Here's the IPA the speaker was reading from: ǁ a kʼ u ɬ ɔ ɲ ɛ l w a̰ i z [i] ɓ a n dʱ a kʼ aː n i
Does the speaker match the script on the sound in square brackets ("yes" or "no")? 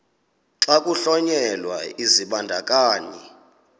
yes